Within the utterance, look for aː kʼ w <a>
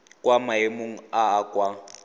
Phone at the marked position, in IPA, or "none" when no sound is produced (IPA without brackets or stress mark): a